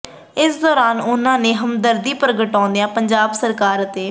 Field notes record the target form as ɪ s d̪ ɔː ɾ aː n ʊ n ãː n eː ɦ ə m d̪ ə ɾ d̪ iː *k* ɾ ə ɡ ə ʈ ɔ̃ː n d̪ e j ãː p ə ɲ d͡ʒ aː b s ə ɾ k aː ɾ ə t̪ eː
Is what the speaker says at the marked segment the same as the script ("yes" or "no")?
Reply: no